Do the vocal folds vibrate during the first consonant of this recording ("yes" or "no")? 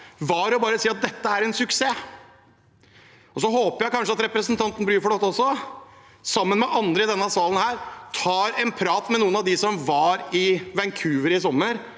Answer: yes